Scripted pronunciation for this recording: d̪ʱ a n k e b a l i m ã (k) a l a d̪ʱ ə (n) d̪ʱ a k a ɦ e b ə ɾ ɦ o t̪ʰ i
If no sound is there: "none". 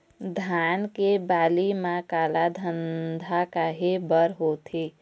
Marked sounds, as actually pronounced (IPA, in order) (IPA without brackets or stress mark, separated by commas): k, n